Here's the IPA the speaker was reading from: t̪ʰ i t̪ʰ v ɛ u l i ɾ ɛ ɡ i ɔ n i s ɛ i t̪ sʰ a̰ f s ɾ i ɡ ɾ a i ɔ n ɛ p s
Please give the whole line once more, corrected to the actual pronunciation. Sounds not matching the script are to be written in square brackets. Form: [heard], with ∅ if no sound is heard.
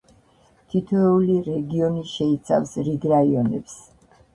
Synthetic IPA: t̪ʰ i t̪ʰ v ɛ u l i ɾ ɛ ɡ i ɔ n i [ʃ] ɛ i t̪ sʰ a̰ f s ɾ i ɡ ɾ a i ɔ n ɛ p s